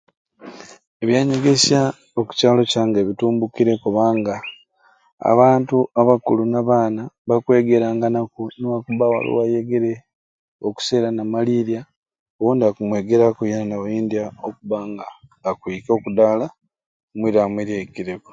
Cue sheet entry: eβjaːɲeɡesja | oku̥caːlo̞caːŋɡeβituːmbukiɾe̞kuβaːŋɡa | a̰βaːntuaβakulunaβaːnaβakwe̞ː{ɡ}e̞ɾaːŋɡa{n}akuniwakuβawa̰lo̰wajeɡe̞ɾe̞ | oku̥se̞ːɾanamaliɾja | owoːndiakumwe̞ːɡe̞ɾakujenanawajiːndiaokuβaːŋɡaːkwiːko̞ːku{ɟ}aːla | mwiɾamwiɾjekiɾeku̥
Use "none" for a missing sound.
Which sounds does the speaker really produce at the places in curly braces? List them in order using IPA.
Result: ɡ, n, d

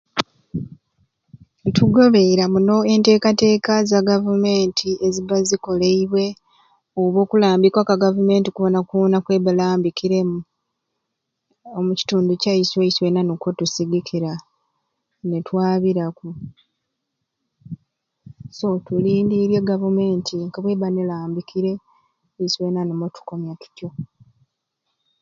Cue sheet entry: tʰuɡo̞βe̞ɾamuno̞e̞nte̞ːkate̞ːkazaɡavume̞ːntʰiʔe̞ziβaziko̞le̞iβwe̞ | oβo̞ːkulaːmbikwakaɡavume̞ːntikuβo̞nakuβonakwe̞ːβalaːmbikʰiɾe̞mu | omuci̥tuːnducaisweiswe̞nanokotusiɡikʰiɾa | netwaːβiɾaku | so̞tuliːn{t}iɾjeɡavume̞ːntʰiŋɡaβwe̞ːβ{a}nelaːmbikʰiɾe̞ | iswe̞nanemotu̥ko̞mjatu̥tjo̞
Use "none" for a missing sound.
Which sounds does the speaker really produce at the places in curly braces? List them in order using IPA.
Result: d, a

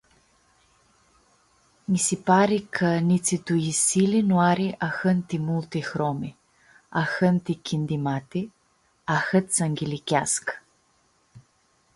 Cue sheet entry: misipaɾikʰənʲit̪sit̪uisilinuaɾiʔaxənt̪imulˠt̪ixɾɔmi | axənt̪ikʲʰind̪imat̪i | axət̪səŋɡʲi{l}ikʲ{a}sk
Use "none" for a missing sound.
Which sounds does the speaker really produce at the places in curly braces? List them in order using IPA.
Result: l, a

